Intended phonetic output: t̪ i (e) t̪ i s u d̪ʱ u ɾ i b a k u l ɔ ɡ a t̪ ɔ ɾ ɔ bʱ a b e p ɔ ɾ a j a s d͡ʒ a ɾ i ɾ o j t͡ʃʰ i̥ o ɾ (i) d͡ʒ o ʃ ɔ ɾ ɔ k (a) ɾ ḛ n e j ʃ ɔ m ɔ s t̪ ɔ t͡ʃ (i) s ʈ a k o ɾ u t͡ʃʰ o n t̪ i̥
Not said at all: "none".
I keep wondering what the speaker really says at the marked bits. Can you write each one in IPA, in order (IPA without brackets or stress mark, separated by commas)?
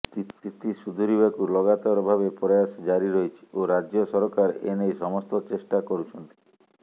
i, a, a, e